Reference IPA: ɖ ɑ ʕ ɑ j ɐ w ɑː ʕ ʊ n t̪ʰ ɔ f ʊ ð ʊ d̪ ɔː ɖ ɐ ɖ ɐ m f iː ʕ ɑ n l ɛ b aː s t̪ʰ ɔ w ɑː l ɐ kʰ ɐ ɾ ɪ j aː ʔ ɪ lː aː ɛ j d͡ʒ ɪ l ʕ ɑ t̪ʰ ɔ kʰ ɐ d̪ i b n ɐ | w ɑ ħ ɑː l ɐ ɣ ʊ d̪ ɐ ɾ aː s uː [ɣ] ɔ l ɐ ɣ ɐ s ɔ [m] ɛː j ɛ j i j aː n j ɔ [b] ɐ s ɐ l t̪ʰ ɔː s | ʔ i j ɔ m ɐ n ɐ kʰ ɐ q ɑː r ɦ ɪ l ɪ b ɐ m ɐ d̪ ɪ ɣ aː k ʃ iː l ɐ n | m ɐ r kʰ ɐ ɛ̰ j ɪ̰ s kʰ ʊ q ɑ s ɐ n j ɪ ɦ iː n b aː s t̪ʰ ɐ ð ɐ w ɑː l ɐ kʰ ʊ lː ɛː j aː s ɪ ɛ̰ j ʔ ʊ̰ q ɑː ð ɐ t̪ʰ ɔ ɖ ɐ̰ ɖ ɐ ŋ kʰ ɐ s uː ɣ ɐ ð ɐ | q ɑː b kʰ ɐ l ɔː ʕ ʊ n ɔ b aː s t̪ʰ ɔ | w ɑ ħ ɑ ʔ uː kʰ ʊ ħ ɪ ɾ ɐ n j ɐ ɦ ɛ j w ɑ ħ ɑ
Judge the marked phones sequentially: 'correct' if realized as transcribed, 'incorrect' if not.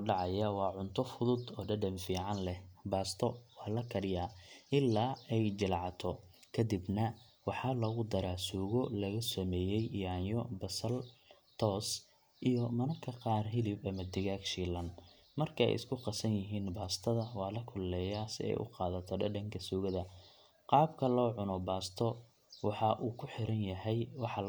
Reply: correct, correct, correct

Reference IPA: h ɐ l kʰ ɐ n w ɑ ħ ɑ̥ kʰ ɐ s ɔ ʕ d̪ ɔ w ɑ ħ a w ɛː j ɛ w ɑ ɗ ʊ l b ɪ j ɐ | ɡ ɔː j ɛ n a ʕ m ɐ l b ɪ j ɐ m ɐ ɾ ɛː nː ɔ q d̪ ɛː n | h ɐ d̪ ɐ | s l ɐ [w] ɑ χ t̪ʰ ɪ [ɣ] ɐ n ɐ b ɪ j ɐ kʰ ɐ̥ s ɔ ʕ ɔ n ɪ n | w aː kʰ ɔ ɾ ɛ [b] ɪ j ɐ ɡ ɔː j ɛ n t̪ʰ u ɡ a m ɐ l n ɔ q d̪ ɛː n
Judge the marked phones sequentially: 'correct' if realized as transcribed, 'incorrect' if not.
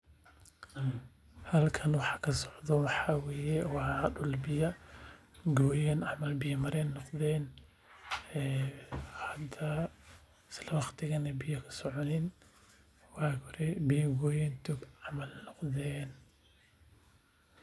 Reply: correct, correct, correct

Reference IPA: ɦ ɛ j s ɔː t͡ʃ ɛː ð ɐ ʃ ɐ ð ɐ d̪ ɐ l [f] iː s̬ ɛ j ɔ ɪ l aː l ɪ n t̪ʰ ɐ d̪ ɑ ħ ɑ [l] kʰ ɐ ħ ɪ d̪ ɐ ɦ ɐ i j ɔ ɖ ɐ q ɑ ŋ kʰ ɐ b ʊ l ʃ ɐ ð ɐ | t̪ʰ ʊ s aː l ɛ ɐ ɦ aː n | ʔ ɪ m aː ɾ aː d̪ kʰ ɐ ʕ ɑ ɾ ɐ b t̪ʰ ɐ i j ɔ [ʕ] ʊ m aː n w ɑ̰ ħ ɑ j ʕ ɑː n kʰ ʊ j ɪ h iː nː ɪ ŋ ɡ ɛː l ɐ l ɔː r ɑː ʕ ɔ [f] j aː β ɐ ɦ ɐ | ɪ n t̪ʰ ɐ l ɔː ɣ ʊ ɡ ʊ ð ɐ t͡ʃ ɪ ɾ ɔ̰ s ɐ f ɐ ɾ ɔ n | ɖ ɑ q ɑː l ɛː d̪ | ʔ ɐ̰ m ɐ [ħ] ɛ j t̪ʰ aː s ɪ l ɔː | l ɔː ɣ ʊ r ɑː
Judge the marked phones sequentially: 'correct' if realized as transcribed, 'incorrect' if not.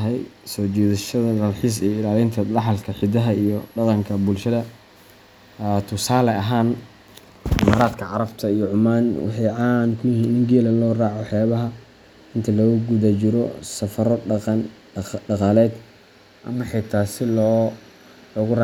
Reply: incorrect, correct, correct, incorrect, correct

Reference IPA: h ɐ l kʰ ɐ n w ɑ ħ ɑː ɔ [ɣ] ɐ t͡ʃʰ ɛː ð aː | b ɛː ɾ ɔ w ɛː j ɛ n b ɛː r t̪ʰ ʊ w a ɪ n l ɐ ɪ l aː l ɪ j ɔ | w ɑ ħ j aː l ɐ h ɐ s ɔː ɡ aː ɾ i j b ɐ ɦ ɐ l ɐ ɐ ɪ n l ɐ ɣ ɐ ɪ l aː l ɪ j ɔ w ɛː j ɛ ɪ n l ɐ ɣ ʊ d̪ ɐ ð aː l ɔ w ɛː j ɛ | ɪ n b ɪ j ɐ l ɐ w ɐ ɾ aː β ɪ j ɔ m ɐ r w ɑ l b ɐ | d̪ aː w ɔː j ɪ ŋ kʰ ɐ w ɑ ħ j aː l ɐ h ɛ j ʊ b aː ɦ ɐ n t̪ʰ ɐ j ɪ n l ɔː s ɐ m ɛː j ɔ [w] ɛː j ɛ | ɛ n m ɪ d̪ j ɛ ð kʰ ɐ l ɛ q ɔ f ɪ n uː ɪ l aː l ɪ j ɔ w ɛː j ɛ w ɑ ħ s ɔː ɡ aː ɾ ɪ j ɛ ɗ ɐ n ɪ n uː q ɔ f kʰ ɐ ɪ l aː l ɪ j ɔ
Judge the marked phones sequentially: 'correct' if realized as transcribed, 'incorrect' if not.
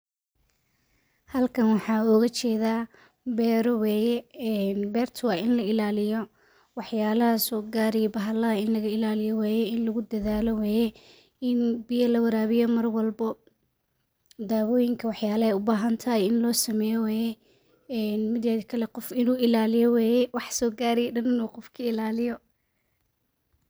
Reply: correct, correct

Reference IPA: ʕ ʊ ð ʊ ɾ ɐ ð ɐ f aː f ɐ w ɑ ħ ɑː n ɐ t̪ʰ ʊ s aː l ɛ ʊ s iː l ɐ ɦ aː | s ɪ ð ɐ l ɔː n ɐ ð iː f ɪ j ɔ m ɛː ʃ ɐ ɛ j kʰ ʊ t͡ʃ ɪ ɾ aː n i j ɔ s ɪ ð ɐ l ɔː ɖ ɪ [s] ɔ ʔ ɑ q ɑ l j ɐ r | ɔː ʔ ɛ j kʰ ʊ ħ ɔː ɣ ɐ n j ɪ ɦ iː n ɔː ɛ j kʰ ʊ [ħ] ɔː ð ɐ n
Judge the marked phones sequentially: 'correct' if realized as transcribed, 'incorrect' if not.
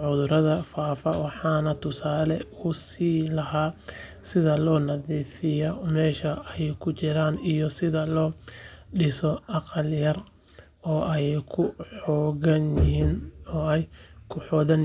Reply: correct, correct

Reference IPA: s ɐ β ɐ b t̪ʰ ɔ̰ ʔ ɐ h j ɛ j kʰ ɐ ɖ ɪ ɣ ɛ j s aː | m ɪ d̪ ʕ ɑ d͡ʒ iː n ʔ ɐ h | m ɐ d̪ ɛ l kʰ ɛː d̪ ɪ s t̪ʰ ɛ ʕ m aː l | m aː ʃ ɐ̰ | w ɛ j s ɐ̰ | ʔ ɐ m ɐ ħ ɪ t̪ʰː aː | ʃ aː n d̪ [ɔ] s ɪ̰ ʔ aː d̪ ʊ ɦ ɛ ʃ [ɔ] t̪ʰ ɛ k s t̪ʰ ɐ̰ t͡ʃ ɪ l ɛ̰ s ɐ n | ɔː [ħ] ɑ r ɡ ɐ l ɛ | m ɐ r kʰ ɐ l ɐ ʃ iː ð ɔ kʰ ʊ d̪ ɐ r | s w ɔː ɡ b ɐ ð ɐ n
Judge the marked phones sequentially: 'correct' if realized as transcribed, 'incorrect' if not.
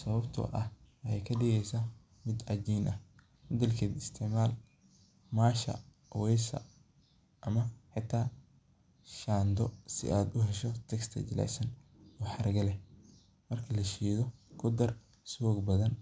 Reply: correct, correct, correct

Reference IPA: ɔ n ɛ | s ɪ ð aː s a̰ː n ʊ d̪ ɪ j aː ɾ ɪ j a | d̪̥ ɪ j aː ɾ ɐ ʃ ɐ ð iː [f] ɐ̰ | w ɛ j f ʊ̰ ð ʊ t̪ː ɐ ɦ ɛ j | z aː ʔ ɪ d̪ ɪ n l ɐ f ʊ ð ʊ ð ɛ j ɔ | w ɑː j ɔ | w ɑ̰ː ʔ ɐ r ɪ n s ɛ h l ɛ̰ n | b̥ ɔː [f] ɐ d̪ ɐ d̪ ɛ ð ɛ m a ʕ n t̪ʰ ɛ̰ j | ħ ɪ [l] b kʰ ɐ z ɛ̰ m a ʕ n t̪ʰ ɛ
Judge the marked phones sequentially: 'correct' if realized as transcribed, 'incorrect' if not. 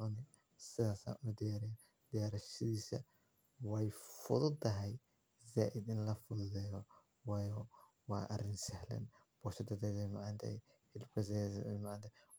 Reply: incorrect, incorrect, correct

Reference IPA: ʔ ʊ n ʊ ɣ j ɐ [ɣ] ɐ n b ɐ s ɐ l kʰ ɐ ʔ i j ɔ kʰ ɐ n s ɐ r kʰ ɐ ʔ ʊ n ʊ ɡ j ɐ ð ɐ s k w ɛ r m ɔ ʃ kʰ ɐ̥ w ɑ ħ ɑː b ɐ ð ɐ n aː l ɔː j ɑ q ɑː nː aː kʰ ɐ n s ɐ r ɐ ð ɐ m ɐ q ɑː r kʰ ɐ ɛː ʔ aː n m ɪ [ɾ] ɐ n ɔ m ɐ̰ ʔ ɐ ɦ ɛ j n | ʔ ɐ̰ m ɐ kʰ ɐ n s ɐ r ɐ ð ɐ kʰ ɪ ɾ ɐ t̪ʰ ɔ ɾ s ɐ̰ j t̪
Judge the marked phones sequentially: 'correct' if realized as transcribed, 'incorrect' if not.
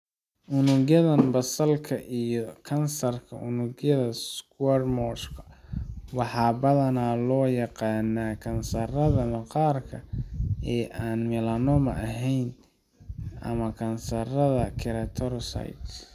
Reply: incorrect, incorrect

